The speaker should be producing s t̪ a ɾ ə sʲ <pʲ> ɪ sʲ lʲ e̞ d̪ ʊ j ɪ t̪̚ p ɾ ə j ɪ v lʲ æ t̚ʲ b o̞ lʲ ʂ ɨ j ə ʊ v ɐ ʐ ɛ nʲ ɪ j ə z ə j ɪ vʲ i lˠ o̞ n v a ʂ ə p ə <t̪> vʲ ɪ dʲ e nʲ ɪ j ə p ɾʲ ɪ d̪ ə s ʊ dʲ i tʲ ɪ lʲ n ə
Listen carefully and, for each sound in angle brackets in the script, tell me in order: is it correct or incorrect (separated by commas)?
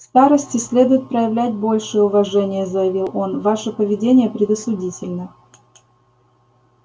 incorrect, incorrect